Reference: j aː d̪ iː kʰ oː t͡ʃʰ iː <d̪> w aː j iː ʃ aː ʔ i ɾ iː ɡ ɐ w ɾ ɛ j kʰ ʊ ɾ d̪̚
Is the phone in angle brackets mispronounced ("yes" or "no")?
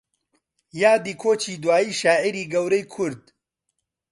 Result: no